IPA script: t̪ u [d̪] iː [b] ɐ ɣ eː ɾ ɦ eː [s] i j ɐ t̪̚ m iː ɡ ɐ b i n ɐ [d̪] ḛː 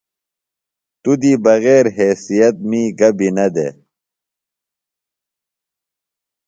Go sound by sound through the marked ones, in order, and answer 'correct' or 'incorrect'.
correct, correct, correct, correct

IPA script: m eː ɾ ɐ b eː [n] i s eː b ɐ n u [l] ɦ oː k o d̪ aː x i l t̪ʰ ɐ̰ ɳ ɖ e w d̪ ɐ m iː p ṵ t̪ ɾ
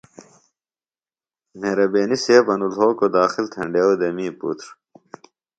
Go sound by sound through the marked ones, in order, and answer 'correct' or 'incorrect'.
correct, correct

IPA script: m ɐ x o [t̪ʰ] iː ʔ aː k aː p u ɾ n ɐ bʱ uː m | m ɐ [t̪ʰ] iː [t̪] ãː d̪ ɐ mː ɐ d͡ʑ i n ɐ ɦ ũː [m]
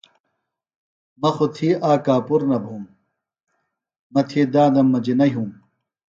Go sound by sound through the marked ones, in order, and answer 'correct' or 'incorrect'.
correct, correct, incorrect: d̪, correct

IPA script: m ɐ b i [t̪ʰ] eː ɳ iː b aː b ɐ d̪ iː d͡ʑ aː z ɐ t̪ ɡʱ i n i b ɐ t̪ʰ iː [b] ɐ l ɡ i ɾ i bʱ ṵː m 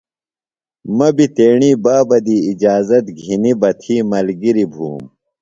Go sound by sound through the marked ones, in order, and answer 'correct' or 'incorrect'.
incorrect: t̪, incorrect: m

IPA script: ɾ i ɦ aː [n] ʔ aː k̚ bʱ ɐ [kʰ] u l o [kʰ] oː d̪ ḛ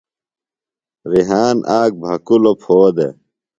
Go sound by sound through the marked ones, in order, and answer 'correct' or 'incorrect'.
correct, incorrect: k, incorrect: pʰ

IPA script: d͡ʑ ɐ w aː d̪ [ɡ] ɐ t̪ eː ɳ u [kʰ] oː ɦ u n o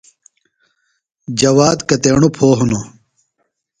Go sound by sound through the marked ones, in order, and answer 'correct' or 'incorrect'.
incorrect: k, incorrect: pʰ

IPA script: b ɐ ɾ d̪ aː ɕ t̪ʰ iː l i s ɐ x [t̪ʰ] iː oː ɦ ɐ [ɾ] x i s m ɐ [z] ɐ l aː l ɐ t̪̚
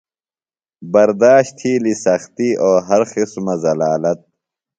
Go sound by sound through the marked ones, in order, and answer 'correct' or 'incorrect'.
incorrect: t̪, correct, correct

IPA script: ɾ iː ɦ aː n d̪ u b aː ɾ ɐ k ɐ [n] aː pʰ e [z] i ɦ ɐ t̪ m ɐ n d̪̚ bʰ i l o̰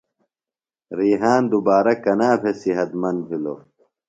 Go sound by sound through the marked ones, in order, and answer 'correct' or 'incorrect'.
correct, incorrect: s

